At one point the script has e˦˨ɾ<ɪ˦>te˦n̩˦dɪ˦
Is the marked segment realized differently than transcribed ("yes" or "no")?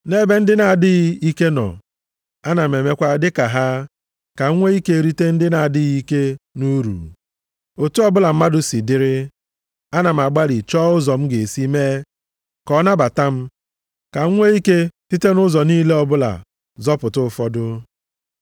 yes